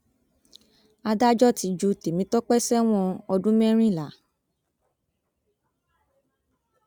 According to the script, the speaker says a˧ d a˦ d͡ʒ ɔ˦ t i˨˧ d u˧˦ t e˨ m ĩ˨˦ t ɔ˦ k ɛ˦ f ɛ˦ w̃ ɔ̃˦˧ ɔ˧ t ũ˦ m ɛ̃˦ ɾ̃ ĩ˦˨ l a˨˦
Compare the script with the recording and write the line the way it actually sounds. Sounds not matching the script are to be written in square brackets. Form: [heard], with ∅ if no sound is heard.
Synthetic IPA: a˧ d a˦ d͡ʒ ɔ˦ t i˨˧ [d͡ʒ] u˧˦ t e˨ m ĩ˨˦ t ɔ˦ [k͡p] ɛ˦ [s] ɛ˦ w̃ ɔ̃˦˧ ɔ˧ [d] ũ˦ m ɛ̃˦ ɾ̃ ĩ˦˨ l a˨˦

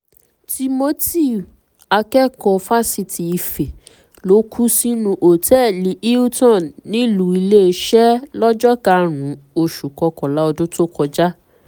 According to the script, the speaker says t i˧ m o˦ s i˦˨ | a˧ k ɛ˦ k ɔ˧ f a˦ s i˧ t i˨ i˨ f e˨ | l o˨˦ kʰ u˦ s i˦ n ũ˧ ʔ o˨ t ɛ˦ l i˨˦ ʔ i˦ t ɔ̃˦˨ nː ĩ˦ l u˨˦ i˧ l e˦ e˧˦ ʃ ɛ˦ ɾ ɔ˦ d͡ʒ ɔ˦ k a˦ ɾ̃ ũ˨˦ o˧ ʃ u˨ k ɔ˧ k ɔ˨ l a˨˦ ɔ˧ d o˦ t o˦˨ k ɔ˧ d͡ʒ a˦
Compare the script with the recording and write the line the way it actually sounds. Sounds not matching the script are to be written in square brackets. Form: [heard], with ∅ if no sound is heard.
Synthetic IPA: t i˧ m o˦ [t] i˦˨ | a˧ k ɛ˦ k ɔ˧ f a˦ s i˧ t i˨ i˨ f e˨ | l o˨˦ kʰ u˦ s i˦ n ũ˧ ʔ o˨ t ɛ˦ l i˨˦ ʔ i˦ t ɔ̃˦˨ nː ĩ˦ l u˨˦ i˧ l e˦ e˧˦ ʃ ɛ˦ [l] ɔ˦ d͡ʒ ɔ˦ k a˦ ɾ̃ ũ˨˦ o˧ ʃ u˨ k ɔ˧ k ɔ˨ l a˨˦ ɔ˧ d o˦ t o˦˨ k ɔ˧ d͡ʒ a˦

